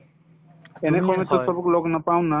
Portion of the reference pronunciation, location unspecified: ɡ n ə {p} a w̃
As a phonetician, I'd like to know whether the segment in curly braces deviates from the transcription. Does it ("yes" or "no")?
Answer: no